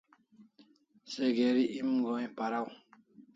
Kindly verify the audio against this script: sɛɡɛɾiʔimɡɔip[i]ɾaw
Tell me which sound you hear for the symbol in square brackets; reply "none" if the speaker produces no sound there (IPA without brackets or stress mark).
a